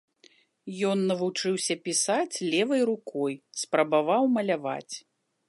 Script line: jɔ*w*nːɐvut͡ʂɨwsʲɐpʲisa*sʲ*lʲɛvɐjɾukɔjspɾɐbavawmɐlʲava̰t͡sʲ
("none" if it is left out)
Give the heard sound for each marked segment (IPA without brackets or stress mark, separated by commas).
none, t͡sʲ